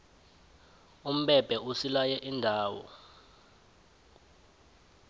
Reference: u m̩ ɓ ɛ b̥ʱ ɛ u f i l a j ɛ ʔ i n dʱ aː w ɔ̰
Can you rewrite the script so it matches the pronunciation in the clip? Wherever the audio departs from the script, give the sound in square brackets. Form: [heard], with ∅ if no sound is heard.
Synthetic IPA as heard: u m̩ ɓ ɛ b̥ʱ ɛ u [s] i l a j ɛ ʔ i n dʱ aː w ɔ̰